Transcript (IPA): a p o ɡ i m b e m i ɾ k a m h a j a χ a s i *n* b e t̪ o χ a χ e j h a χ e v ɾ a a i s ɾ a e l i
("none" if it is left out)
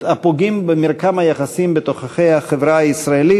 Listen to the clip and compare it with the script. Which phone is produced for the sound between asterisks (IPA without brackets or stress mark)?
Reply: m